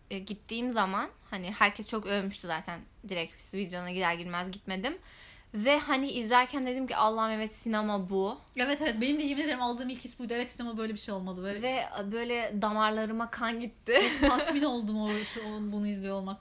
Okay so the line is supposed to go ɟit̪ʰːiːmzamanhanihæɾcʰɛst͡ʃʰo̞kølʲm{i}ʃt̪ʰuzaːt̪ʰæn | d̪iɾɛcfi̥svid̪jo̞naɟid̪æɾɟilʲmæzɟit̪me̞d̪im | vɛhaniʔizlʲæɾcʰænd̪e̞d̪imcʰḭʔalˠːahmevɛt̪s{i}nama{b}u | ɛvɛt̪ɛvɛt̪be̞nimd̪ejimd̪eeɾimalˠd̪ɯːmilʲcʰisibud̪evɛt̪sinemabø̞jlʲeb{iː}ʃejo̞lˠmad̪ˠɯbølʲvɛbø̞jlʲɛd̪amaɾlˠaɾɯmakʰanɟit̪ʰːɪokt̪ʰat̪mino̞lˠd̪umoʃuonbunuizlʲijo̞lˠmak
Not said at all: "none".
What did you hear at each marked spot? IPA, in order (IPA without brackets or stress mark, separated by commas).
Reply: y, i, b, i